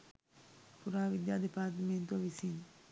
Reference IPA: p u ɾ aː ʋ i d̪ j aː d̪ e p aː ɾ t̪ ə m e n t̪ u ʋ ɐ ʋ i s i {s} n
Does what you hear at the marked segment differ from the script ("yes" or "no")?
yes